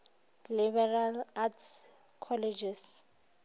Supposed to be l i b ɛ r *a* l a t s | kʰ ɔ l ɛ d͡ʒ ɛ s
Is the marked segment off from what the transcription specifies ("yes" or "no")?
no